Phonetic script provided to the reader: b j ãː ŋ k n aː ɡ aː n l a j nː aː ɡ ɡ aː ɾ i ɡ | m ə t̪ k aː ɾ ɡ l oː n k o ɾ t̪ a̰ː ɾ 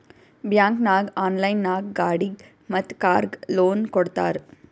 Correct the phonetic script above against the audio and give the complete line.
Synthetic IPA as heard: b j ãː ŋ k n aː ɡ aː n l a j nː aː ɡ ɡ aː ɽ i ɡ | m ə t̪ k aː ɾ ɡ l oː n k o ɽ t̪ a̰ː ɾ